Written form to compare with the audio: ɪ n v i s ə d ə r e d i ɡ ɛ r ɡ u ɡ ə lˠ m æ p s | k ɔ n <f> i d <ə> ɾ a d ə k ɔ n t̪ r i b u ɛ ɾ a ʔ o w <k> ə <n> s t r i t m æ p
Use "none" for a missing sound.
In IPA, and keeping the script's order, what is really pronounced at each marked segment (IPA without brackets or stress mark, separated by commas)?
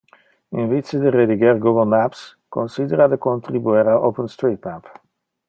s, ə, p, n